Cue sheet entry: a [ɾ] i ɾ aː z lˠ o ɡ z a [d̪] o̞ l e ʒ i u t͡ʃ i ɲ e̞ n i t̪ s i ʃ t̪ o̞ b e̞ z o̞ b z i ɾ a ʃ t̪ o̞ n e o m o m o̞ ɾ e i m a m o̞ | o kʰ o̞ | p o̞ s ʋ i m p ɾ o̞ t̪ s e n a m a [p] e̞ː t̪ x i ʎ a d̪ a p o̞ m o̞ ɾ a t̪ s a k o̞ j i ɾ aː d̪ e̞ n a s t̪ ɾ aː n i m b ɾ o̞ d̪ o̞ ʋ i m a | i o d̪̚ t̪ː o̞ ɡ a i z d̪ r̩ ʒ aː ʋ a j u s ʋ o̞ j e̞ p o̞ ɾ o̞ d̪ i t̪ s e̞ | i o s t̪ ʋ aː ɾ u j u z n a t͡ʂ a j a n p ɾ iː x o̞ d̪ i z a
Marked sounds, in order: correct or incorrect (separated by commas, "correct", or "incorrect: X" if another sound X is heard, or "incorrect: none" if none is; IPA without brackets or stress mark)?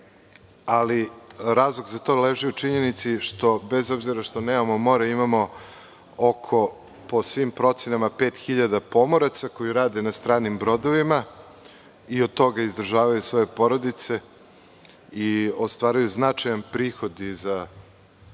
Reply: incorrect: l, incorrect: t̪, correct